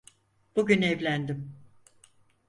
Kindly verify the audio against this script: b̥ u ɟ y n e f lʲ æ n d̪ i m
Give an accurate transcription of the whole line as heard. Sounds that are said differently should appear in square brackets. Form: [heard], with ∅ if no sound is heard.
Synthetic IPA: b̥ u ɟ y n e [v] lʲ æ n d̪ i m